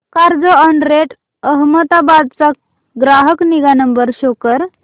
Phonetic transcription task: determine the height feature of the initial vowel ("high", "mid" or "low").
low